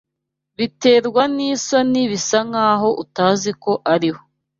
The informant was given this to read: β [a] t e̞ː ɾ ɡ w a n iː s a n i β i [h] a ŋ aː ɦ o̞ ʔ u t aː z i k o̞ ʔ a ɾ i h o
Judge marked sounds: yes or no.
no, no

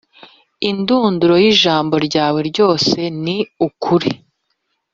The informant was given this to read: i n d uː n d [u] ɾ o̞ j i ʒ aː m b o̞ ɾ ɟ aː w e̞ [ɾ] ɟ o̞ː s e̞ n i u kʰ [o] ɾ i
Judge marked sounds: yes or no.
yes, yes, no

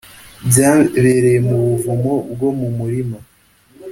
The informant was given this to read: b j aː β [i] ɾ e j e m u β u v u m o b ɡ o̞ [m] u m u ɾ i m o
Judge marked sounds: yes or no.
no, yes

